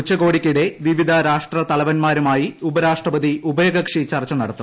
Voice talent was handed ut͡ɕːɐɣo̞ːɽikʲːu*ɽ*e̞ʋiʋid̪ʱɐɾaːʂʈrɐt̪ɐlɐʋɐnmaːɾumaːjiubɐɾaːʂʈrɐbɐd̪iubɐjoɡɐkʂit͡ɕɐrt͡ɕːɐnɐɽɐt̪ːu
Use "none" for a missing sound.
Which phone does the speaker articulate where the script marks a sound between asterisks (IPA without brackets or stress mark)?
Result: ɽ